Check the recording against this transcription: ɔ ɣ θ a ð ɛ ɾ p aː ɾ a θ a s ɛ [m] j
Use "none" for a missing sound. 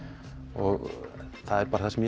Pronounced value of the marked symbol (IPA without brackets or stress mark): m